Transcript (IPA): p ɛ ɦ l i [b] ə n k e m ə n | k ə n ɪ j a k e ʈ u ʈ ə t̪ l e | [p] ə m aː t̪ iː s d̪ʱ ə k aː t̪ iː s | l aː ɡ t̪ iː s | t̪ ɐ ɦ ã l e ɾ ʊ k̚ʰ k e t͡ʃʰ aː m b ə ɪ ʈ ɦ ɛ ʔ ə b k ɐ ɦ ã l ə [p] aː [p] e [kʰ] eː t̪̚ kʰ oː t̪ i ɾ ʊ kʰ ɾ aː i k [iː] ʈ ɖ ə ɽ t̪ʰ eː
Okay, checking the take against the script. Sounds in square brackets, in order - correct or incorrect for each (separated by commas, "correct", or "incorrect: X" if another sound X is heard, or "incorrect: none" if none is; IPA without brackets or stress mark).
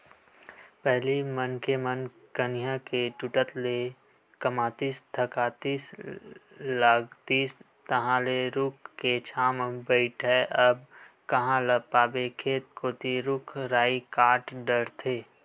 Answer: incorrect: m, incorrect: k, correct, incorrect: b, correct, incorrect: aː